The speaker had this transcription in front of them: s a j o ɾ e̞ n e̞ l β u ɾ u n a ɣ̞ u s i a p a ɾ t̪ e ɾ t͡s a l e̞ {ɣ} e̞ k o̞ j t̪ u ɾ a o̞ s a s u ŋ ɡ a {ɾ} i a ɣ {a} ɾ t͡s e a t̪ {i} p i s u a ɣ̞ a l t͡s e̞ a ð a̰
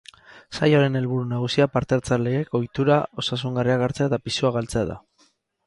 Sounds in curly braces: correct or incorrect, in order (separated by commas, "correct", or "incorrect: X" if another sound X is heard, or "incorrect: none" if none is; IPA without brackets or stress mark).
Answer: correct, incorrect: r, correct, incorrect: a